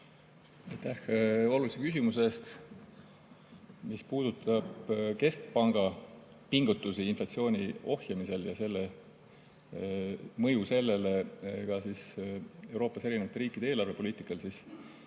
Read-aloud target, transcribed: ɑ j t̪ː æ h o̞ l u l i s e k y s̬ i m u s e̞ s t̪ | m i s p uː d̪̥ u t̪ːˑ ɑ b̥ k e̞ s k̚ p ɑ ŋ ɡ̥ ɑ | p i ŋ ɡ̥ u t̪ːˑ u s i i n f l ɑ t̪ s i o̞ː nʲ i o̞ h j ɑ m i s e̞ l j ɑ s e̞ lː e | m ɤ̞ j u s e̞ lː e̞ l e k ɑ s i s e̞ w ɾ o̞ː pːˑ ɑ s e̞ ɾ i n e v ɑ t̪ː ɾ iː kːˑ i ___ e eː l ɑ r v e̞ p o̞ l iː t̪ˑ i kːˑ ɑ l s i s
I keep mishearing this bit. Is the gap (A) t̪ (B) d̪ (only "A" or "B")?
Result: B